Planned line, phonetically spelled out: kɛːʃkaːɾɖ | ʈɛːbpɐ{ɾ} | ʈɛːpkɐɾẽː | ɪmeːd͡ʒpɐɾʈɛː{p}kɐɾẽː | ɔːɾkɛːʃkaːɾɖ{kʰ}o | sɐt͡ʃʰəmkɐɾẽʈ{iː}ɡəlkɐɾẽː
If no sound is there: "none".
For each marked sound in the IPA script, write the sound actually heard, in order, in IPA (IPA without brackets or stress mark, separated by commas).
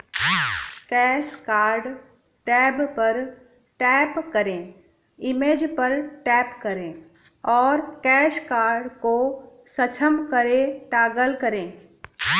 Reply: ɾ, p, k, aː